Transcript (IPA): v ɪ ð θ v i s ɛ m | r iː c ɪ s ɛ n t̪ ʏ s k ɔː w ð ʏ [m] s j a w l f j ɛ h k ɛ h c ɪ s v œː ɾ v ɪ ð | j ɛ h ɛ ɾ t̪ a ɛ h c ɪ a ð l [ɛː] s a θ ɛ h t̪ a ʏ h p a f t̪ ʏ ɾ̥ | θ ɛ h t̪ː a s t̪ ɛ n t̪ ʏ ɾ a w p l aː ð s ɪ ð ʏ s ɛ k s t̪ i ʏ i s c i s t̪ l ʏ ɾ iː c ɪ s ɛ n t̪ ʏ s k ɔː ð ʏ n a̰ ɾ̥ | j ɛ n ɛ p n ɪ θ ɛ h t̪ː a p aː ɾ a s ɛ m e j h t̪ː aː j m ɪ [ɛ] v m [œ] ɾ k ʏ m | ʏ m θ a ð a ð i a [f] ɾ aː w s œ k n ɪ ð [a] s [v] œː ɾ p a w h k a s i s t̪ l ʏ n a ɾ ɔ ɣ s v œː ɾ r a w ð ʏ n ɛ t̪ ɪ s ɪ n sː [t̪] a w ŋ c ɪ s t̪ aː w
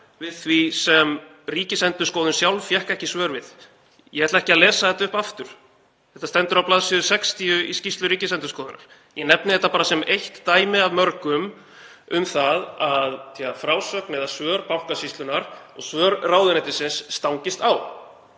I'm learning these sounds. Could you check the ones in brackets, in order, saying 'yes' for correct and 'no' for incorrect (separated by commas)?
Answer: no, yes, no, yes, yes, yes, yes, yes